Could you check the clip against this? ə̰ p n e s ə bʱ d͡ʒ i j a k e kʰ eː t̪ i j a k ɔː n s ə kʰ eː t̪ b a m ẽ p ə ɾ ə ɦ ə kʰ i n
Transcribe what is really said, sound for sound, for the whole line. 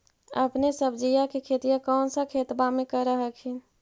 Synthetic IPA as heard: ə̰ p n e s ə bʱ d͡ʒ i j a k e kʰ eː t̪ i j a k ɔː n s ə kʰ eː t̪ b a m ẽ k ə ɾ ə ɦ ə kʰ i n